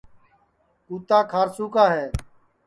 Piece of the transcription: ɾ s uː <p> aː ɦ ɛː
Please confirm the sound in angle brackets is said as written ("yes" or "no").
no